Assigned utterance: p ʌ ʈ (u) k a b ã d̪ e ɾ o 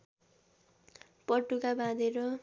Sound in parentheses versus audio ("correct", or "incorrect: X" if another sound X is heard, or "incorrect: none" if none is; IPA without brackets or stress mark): correct